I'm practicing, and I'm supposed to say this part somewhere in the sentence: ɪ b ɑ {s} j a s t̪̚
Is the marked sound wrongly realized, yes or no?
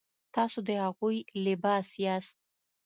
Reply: no